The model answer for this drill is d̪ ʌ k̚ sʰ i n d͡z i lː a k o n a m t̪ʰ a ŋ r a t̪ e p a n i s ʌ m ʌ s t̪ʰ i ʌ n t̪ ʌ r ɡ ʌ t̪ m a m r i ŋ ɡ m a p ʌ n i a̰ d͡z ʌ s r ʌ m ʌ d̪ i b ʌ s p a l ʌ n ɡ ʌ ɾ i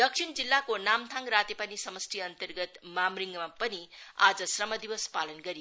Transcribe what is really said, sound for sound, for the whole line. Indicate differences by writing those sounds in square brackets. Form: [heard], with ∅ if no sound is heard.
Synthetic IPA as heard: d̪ ʌ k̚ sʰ i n d͡z i lː a k o n a m t̪ʰ a ŋ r a t̪ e p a n i s ʌ m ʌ s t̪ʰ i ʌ n t̪ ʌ r ɡ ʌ t̪ m a m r i ŋ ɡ m a p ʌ n i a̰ d͡z ʌ s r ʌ m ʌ d̪ i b ʌ s p a l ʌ n ɡ ʌ ɾ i